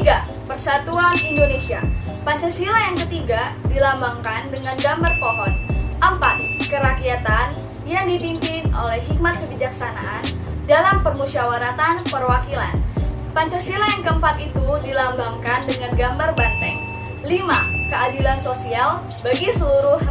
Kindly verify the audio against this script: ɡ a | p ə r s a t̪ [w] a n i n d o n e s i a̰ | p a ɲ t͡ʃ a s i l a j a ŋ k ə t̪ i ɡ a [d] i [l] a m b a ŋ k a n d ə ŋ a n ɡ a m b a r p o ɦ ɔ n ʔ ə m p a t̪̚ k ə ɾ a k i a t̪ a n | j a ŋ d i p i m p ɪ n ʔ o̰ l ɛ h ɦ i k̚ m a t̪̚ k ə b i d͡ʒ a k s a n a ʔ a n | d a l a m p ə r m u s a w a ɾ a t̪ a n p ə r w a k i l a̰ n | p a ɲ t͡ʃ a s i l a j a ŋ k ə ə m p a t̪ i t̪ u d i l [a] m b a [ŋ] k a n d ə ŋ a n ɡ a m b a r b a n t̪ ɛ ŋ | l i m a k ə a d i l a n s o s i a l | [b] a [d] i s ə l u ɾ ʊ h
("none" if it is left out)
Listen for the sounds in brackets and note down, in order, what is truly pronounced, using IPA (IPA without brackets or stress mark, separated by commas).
u, d, l, a, ŋ, b, ɡ